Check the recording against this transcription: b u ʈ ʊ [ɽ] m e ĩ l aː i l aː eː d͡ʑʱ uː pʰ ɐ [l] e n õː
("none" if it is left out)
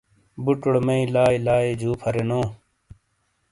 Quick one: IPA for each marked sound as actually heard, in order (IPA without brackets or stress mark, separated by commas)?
ɽ, ɾ